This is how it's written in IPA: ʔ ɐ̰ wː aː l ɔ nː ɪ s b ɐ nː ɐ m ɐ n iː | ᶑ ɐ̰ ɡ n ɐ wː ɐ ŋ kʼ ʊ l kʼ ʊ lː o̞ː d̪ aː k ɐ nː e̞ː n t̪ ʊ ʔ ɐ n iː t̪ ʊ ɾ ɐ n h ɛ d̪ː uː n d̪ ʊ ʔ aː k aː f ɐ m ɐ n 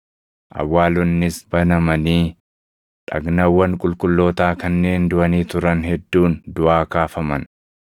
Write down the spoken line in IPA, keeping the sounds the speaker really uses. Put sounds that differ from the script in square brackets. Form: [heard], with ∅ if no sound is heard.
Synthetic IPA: ʔ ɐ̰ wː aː l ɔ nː ɪ s b ɐ [n] ɐ m ɐ n iː | ᶑ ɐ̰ ɡ n ɐ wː ɐ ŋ kʼ ʊ l kʼ ʊ lː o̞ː [t̪] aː k ɐ nː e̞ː n [d̪] ʊ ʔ ɐ n iː t̪ ʊ ɾ ɐ n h ɛ d̪ː uː n d̪ ʊ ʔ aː k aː f ɐ m ɐ n

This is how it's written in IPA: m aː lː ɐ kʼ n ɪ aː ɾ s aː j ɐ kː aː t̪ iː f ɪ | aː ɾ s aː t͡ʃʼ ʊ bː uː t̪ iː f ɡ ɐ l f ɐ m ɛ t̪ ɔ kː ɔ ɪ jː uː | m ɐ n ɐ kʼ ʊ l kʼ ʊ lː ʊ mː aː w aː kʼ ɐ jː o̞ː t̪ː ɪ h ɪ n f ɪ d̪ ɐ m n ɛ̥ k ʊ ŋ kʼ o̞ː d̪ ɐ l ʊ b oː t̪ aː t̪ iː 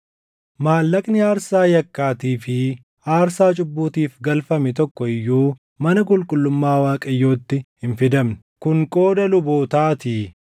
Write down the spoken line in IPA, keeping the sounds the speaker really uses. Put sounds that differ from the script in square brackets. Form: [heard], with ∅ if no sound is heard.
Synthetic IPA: m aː lː ɐ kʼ n ɪ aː ɾ s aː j ɐ kː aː t̪ iː f ɪ | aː ɾ s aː t͡ʃʼ ʊ bː uː t̪ iː f ɡ ɐ l f ɐ m ɛ t̪ ɔ kː ɔ ɪ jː uː | m ɐ n ɐ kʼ ʊ l kʼ ʊ lː ʊ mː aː w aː kʼ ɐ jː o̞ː t̪ː ɪ h ɪ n f ɪ d̪ ɐ m n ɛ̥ k ʊ ŋ kʼ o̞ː d̪ ɐ l ʊ b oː t̪ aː t̪ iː

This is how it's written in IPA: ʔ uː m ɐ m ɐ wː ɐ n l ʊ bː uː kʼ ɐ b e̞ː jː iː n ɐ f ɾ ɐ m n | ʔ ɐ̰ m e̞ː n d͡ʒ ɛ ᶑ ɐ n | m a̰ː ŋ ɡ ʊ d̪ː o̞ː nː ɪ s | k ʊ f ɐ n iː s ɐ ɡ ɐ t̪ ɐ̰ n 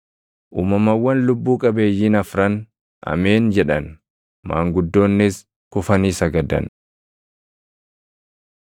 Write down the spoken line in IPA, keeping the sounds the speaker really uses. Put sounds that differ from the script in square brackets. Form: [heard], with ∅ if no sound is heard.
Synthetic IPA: ʔ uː m ɐ m ɐ wː ɐ n l ʊ bː uː kʼ ɐ b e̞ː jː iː n ɐ f ɾ ɐ [∅] n | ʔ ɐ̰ m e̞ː n d͡ʒ ɛ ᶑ ɐ n | m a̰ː ŋ ɡ ʊ d̪ː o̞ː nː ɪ s | k ʊ f ɐ n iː s ɐ ɡ ɐ [d̪] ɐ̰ n

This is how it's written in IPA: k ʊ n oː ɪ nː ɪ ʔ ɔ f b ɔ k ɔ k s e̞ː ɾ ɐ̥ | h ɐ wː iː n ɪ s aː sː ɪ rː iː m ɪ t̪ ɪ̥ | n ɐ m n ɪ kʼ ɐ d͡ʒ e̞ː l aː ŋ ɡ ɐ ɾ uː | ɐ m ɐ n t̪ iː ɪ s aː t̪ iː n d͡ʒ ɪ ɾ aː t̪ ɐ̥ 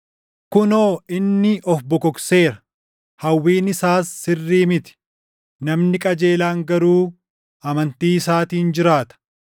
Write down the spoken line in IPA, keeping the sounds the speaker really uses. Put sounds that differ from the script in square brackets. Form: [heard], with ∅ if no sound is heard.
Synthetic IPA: k ʊ n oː ɪ nː ɪ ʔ ɔ f b ɔ k ɔ k s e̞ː ɾ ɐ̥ | h ɐ wː iː n ɪ s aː sː ɪ rː iː m ɪ t̪ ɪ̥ | n ɐ m n ɪ kʼ ɐ d͡ʒ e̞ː l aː ŋ ɡ ɐ ɾ uː | ɐ m ɐ n t̪ iː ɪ s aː t̪ iː n d͡ʒ ɪ ɾ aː t̪ ɐ̥

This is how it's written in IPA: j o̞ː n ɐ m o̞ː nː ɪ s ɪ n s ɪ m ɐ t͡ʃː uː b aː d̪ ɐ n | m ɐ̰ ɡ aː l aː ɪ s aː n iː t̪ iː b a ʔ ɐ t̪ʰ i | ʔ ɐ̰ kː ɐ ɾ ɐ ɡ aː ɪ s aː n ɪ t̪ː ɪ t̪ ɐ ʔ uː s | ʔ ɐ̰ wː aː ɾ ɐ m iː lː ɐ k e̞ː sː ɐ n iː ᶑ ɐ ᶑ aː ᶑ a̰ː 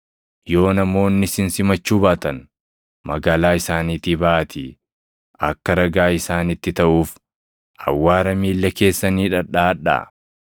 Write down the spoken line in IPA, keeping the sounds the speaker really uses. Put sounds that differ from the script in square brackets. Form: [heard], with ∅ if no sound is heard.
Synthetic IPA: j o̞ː n ɐ m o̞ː nː ɪ s ɪ n s ɪ m ɐ t͡ʃː uː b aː [t̪] ɐ n | m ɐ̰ ɡ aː l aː ɪ s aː n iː t̪ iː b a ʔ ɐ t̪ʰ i | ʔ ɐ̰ kː ɐ ɾ ɐ ɡ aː ɪ s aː n ɪ t̪ː ɪ t̪ ɐ ʔ uː [f] | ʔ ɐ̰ wː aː ɾ ɐ m iː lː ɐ k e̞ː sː ɐ n iː ᶑ ɐ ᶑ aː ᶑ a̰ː

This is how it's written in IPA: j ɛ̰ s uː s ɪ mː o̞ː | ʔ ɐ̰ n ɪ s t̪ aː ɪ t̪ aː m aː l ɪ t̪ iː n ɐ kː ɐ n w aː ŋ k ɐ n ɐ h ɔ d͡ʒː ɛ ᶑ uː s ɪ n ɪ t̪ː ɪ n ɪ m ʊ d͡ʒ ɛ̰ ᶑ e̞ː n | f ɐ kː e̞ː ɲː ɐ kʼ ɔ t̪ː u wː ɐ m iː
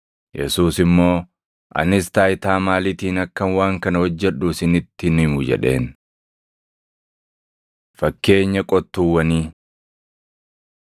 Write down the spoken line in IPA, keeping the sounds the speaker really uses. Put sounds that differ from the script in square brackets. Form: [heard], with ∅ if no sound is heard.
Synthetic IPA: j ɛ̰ s uː s ɪ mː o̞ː | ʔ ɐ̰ n ɪ s t̪ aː ɪ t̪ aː m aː l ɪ t̪ iː n ɐ kː ɐ n w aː ŋ k ɐ n ɐ h ɔ d͡ʒː ɛ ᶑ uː s ɪ n ɪ t̪ː ɪ n ɪ m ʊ d͡ʒ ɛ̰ ᶑ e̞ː n | f ɐ kː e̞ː ɲː ɐ kʼ ɔ t̪ː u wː ɐ [n] iː

